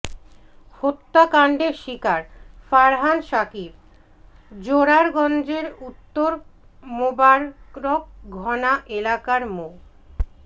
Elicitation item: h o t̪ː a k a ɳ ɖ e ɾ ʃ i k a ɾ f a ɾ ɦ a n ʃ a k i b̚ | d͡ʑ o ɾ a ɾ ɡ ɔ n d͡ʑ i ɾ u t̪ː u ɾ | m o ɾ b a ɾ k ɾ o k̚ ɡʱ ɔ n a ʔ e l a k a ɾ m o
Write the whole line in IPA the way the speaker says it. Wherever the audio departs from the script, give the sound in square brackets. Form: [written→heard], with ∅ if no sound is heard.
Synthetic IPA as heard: h o t̪ː a k a ɳ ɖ e ɾ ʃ i k a ɾ f a ɾ ɦ a n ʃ a k i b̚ | d͡ʑ o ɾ a ɾ ɡ ɔ n d͡ʑ [i→e] ɾ u t̪ː [u→o] ɾ | m o [ɾ→∅] b a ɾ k ɾ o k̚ ɡʱ ɔ n a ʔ e l a k a ɾ m o